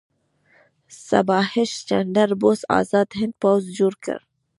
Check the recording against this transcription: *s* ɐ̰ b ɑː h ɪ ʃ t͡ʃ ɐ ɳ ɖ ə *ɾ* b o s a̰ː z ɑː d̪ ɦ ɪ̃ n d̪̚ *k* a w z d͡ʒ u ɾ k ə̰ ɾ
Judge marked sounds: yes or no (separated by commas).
yes, yes, no